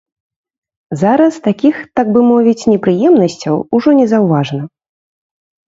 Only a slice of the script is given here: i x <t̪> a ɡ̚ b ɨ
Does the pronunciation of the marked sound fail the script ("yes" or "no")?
no